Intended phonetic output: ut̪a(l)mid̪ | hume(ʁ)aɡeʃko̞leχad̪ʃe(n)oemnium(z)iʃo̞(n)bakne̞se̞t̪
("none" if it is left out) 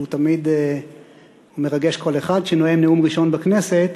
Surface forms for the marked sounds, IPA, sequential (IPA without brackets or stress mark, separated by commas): none, ʁ, n, ʁ, n